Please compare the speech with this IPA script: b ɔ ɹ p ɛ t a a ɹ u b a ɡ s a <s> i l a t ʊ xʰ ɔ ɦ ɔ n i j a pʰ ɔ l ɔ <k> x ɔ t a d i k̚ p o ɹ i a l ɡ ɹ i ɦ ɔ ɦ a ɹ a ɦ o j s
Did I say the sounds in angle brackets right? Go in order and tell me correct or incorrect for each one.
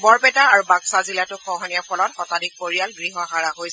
incorrect: z, incorrect: t

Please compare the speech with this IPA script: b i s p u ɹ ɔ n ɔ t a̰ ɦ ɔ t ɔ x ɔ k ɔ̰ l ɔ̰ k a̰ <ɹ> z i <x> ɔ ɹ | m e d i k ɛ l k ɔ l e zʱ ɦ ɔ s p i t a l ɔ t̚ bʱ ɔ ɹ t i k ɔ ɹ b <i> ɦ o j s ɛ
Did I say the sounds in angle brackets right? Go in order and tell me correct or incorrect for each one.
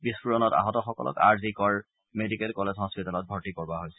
correct, incorrect: k, incorrect: a

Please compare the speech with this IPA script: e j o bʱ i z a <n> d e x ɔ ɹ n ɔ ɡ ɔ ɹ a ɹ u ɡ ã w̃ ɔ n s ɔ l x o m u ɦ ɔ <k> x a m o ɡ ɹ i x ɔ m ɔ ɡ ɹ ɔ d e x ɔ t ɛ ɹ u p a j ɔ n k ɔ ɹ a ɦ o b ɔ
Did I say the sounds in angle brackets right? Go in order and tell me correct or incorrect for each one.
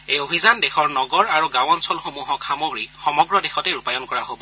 correct, correct

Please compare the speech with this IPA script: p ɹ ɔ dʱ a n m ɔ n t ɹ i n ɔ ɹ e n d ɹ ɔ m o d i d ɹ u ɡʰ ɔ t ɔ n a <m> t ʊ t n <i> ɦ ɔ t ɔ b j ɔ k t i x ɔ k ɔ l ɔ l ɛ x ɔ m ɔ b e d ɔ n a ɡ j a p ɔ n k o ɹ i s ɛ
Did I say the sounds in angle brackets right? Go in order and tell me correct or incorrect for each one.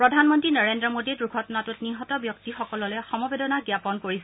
incorrect: none, correct

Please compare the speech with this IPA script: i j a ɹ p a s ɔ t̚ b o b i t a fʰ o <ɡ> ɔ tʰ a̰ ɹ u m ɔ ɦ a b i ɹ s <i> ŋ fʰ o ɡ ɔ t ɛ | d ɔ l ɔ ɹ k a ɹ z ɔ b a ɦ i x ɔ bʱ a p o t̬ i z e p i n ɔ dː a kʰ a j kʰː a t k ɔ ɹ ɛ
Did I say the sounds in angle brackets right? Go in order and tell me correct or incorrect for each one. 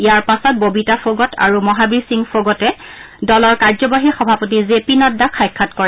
correct, correct

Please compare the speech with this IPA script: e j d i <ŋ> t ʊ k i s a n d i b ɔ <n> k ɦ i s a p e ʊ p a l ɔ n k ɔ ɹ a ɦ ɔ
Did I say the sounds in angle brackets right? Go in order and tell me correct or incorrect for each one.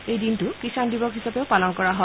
incorrect: n, incorrect: none

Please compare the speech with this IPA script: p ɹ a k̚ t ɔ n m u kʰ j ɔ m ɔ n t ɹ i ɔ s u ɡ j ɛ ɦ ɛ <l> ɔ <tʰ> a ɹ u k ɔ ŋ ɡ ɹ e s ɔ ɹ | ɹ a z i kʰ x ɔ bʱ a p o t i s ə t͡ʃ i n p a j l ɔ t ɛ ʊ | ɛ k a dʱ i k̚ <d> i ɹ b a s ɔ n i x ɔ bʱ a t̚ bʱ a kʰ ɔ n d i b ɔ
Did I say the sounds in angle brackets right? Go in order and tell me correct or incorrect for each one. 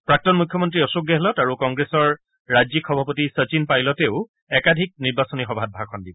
correct, incorrect: t, incorrect: n

